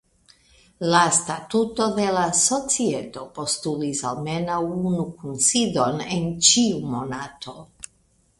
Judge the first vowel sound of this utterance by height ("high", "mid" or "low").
low